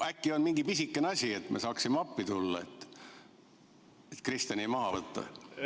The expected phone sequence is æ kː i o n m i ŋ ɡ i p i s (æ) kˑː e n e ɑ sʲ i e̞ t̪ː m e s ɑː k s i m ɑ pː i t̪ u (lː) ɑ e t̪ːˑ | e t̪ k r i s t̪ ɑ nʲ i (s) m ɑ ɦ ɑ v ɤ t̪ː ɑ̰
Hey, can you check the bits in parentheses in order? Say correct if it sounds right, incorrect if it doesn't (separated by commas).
incorrect, correct, incorrect